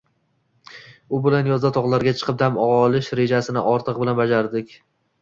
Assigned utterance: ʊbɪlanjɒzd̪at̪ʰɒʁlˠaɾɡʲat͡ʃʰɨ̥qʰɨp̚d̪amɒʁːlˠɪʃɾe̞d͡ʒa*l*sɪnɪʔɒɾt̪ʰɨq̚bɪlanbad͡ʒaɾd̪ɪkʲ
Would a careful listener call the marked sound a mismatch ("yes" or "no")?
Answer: yes